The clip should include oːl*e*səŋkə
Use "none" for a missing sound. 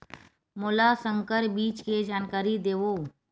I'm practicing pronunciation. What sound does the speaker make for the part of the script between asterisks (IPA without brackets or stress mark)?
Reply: a